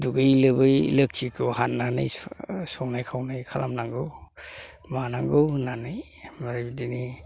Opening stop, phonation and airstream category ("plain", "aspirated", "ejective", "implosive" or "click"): plain